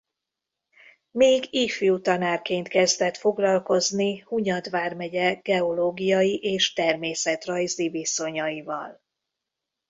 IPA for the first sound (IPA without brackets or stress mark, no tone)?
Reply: m